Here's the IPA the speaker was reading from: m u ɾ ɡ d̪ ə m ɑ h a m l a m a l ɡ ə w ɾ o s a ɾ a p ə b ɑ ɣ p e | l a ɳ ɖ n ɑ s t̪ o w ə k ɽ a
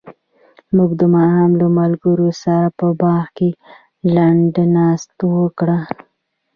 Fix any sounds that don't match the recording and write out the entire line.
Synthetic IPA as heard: m u ɡ d̪ ə m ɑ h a m l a m a l ɡ ə ɾ o s a ɾ a p ə b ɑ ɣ k e | l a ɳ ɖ n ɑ s t̪ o w ə k ɽ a